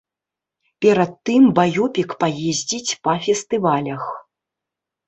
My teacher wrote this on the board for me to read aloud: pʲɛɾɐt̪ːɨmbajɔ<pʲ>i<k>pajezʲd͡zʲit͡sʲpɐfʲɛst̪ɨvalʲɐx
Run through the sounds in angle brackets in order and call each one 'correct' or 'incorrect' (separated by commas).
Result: correct, correct